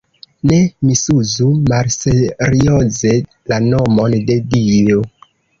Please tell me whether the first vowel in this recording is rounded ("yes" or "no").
no